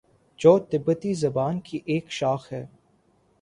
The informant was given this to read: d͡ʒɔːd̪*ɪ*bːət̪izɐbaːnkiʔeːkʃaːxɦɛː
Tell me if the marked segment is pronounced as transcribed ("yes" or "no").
yes